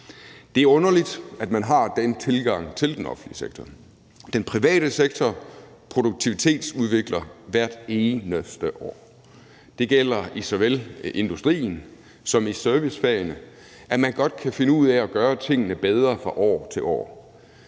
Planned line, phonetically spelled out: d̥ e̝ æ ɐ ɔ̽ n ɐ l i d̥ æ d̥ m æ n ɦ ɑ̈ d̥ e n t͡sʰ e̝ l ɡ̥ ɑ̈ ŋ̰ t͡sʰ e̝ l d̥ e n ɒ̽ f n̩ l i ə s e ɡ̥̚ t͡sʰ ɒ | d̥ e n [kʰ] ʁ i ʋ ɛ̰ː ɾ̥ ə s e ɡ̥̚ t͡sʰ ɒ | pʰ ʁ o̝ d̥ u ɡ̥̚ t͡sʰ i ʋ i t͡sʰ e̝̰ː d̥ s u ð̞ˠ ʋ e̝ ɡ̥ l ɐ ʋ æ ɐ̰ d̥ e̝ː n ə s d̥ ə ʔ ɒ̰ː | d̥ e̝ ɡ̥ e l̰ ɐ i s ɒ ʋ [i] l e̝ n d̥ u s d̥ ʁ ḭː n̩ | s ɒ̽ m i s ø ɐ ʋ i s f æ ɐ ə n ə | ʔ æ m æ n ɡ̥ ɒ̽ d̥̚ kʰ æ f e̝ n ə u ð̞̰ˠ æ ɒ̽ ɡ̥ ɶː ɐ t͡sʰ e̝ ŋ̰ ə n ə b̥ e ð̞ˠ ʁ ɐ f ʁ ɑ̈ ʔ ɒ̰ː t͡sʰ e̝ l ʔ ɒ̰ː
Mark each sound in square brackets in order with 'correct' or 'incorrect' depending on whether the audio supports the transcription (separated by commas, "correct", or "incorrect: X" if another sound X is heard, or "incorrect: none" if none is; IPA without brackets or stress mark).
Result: incorrect: pʰ, incorrect: e